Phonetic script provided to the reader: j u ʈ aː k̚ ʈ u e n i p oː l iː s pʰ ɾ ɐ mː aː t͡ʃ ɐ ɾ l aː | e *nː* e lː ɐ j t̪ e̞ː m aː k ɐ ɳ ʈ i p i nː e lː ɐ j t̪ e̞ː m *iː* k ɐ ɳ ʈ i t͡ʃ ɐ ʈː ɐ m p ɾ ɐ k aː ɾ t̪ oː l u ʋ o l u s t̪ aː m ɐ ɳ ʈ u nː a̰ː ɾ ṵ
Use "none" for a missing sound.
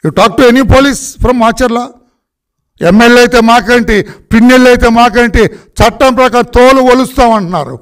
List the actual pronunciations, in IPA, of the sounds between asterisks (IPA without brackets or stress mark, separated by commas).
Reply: mː, aː